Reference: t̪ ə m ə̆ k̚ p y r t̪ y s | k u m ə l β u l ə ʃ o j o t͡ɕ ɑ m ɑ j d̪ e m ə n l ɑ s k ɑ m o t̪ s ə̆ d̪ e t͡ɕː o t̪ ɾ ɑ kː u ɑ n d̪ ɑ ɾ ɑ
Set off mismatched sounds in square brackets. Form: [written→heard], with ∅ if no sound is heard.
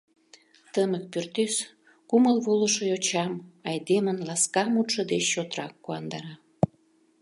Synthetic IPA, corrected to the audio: t̪ ə m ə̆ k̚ p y r t̪ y s | k u m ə l β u l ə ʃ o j o t͡ɕ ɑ m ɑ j d̪ e m ə n l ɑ s k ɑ m [o→u] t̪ [s→ʃ] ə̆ d̪ e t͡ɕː o t̪ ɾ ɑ kː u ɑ n d̪ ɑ ɾ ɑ